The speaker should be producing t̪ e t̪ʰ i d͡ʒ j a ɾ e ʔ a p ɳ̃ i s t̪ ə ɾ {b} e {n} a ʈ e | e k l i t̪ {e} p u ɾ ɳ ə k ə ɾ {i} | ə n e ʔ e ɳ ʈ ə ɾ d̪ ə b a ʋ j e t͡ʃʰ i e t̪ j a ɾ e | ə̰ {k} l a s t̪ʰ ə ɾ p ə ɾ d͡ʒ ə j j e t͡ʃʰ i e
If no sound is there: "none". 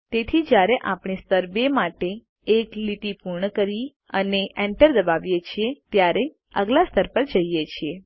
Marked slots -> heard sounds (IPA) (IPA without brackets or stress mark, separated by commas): b, m, i, i, ɡ